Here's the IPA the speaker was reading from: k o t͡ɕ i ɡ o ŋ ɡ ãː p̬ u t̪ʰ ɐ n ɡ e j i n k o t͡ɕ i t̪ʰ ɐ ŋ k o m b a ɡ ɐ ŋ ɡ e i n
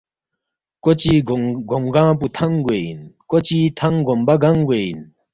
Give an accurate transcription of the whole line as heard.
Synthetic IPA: k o t͡ɕ i ɡ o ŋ ɡ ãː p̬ u t̪ʰ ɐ ŋ ɡ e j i n k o t͡ɕ i t̪ʰ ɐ ŋ ɡ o m b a ɡ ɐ ŋ ɡ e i n